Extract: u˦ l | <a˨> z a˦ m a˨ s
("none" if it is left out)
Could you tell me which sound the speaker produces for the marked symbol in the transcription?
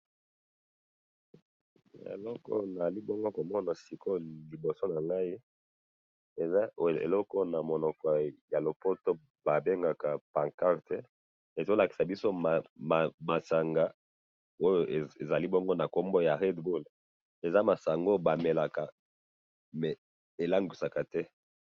e˨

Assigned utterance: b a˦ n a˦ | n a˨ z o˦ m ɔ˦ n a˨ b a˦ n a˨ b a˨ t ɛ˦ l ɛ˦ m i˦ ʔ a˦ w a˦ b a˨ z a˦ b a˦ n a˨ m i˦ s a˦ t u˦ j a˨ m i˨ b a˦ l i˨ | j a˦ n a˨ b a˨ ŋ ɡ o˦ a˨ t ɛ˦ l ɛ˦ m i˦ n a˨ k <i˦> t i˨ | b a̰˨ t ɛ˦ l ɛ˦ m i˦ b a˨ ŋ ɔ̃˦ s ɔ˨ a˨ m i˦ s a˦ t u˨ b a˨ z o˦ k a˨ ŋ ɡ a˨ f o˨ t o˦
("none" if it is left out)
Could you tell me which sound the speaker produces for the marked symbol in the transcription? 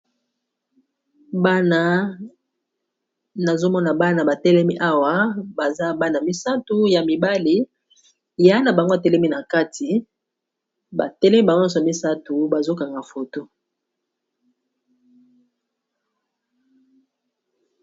a˦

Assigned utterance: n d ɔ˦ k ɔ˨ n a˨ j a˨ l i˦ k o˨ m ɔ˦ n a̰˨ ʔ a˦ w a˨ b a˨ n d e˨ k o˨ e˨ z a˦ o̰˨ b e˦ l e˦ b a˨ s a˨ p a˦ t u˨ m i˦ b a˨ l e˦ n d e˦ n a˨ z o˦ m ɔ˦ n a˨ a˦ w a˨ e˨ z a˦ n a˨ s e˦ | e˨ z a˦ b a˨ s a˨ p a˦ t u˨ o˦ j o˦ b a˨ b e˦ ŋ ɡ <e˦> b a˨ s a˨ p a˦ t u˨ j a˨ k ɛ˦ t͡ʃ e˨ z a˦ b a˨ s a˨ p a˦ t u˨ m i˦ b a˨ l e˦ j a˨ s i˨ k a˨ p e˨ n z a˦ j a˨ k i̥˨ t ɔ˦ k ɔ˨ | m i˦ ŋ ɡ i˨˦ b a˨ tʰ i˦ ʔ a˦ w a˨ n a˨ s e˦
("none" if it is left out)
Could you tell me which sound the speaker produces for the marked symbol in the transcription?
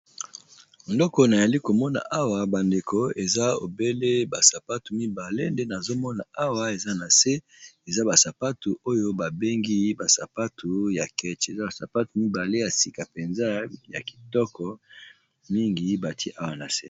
i˦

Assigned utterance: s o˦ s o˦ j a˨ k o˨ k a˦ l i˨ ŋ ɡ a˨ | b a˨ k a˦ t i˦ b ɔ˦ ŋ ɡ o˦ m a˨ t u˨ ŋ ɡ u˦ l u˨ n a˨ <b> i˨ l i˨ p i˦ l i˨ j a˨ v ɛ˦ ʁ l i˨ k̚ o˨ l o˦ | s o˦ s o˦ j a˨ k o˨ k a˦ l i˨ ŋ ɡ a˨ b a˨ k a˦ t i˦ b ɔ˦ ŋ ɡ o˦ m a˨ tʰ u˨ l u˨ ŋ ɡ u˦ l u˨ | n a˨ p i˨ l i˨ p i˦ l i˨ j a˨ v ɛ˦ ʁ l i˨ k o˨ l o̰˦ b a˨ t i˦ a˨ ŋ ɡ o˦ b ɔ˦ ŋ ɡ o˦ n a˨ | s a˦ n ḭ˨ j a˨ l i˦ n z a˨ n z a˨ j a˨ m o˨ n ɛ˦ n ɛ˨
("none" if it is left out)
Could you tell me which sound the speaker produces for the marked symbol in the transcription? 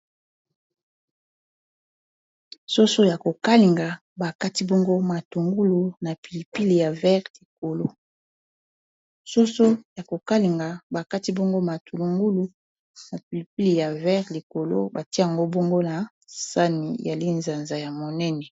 p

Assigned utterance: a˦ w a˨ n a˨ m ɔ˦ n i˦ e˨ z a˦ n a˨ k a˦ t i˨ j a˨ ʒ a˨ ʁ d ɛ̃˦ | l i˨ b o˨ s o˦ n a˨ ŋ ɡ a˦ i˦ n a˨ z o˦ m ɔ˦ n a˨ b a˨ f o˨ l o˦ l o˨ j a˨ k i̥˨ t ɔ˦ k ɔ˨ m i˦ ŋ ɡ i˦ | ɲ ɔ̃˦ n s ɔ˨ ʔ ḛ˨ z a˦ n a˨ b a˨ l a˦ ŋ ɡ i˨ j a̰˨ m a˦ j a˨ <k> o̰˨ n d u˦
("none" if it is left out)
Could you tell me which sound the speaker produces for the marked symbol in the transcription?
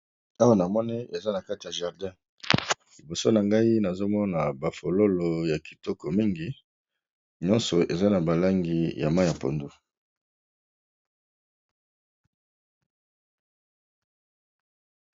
p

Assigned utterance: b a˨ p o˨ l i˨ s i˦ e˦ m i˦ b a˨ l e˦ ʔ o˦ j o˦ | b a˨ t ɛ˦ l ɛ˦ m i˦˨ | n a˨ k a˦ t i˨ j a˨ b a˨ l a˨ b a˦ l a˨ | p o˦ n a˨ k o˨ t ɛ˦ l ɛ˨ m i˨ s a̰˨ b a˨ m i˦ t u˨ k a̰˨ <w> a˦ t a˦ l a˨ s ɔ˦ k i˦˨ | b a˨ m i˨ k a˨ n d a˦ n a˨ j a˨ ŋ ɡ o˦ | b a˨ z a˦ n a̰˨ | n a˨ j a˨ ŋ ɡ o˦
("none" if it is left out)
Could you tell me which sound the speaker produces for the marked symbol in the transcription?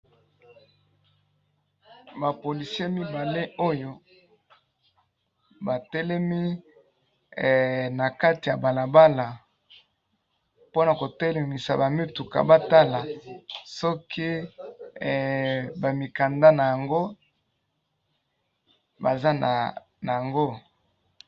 b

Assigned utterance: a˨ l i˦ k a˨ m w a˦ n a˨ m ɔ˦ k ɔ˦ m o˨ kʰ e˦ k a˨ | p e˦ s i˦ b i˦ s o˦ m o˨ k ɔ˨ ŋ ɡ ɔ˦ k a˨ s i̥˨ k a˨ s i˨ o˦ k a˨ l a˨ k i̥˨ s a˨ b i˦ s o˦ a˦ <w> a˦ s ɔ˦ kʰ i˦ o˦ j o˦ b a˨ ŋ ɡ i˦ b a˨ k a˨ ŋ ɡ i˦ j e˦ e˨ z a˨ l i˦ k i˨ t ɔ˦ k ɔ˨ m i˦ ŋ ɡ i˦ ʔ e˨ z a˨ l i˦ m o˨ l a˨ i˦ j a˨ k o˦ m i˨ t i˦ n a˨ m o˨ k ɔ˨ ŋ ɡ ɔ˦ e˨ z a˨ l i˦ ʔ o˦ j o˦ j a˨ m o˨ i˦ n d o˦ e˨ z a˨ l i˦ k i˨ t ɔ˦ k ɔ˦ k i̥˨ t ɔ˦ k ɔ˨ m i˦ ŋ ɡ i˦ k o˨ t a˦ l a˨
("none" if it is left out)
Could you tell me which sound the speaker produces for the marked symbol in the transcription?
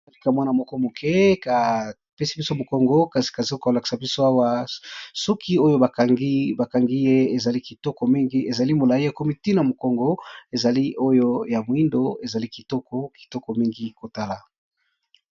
w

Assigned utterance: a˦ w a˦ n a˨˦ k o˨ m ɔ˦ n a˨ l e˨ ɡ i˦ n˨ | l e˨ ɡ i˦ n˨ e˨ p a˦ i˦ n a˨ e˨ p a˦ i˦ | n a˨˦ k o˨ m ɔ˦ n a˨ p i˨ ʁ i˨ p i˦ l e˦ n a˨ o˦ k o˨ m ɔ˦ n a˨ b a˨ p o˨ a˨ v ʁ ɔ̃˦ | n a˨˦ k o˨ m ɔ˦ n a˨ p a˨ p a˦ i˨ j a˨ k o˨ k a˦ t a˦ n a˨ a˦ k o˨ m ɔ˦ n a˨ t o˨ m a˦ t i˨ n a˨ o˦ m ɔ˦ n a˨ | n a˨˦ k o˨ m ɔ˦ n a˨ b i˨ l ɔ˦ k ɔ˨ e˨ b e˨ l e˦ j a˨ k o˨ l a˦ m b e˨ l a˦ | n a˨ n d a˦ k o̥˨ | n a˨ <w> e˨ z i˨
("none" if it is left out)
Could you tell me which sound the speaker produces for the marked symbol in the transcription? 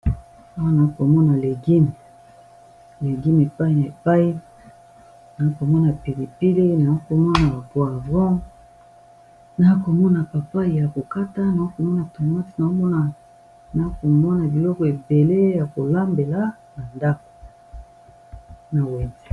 w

